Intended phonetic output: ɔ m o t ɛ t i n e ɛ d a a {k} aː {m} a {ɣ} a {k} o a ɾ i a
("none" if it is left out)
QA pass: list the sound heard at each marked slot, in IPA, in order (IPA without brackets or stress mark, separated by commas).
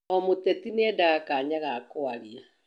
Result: k, ɲ, ɣ, k